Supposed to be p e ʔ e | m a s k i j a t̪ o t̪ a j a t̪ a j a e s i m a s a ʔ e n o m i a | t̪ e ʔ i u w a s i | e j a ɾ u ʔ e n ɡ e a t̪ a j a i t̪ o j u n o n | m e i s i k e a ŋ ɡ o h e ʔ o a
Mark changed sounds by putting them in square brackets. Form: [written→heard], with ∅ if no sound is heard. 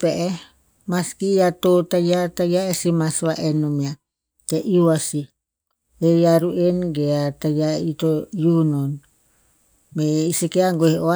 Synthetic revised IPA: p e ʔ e | m a s k i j a t̪ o t̪ a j a t̪ a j a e s i m a s a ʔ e n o m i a | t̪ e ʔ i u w a s i | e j a ɾ u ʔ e n ɡ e a t̪ a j a i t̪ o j u n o n | m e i s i k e a ŋ ɡ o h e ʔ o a